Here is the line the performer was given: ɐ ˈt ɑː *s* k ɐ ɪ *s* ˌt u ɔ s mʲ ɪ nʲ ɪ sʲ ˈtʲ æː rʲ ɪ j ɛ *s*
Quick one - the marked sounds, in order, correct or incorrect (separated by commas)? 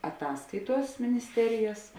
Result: correct, incorrect, correct